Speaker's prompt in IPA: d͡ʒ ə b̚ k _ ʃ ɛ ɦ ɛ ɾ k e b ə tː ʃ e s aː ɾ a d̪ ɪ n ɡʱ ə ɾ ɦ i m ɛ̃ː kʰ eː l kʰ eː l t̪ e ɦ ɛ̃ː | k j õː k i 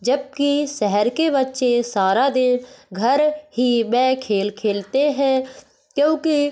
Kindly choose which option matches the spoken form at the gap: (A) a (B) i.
B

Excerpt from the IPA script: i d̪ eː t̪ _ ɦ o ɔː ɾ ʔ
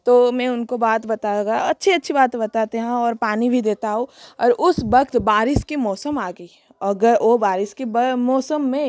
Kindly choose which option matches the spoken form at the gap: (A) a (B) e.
A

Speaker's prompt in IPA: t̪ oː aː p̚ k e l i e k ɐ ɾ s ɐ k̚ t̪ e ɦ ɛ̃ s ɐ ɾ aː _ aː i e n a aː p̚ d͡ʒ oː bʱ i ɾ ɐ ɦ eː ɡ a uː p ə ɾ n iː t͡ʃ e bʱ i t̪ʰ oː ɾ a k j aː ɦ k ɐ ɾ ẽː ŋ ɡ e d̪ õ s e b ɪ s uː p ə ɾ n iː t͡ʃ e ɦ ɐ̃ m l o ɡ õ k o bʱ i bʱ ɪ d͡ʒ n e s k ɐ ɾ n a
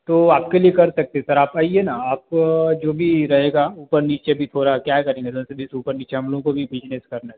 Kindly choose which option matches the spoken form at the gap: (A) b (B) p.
B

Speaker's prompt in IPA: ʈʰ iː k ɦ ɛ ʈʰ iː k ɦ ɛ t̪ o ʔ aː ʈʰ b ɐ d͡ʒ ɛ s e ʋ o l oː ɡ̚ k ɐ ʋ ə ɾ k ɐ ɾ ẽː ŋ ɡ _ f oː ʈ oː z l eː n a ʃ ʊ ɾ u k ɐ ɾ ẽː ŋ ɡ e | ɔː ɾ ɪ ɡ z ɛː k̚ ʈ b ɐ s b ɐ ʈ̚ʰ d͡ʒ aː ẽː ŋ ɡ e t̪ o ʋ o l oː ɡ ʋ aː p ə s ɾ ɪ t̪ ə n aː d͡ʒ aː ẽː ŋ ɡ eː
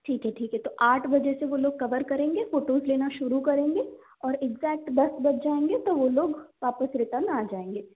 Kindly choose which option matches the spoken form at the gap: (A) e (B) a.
A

